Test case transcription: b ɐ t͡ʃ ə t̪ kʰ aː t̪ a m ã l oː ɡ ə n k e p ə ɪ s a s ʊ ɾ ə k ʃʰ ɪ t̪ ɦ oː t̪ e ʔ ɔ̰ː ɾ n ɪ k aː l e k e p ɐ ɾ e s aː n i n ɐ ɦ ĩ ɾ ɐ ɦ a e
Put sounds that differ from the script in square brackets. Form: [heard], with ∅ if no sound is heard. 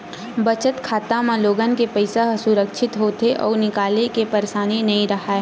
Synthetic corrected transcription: b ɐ t͡ʃ ə t̪ kʰ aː t̪ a m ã l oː ɡ ə n k e p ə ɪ s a s ʊ ɾ ə k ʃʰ ɪ t̪ ɦ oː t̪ e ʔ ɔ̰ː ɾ n ɪ k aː l e k e p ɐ ɾ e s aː n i n ɐ ɦ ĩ ɾ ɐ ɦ a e